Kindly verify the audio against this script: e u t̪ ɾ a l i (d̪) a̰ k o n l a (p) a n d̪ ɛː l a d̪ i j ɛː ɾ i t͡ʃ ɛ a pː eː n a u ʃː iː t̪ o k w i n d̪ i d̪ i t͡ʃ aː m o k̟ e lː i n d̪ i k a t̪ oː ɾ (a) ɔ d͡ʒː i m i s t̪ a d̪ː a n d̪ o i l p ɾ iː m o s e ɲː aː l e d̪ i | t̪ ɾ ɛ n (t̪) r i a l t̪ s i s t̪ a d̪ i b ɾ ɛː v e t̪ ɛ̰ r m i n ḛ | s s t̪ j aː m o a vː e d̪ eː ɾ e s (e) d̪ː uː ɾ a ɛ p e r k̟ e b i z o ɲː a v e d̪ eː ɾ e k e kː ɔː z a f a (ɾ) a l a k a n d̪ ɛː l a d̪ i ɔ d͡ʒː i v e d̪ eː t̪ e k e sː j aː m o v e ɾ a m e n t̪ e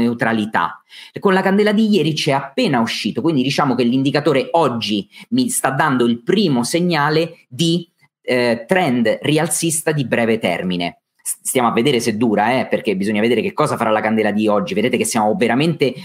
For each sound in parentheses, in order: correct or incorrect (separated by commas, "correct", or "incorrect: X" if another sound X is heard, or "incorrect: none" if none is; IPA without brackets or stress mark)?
incorrect: t̪, incorrect: k, incorrect: e, incorrect: d̪, correct, correct